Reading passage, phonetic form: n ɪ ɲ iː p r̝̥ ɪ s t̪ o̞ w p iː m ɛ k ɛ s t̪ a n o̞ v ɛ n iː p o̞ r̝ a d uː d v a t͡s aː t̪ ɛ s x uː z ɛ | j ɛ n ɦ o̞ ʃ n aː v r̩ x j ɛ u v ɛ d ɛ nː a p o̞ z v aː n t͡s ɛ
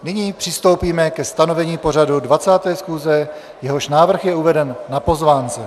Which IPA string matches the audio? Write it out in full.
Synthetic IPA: n ɪ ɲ iː p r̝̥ ɪ s t̪ o̞ w p iː m ɛ k ɛ s t̪ a n o̞ v ɛ ɲ iː p o̞ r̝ a d u d v a t͡s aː t̪ ɛː s x uː z ɛ | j ɛ ɦ o̞ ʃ n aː v r̩ x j ɛ u v ɛ d ɛ nː a p o̞ z v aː n t͡s ɛ

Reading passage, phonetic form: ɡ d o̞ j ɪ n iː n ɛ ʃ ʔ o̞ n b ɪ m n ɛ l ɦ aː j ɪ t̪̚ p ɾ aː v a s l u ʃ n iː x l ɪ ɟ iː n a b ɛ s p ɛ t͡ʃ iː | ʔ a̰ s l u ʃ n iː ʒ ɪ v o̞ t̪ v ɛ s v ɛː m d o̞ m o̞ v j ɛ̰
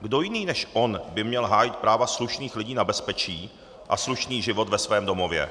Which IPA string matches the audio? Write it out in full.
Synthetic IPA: ɡ d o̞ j ɪ n iː n ɛ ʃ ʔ o̞ n b ɪ m ɲ ɛ l ɦ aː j ɪ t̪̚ p ɾ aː v a s l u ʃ n iː x l ɪ ɟ iː n a b ɛ s p ɛ t͡ʃ iː | ʔ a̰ s l u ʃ n iː ʒ ɪ v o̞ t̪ v ɛ s v ɛː m d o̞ m o̞ v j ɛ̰

